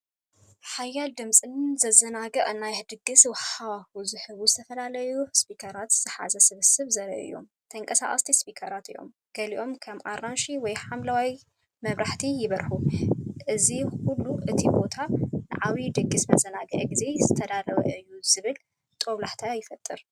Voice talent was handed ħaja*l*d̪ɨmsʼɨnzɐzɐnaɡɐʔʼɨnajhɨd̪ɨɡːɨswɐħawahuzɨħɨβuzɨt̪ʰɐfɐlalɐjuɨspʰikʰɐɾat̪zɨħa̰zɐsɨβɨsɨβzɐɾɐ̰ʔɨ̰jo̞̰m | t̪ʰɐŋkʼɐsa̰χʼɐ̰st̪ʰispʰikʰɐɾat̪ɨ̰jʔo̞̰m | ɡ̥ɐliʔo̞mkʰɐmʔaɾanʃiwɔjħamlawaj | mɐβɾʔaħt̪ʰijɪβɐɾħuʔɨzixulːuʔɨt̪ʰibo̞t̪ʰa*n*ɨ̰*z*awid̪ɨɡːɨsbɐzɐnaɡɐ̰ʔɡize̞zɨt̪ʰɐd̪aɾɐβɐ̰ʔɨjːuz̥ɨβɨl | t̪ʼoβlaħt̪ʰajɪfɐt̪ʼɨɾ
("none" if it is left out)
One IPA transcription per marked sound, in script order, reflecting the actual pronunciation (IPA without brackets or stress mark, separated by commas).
l, n, ʕ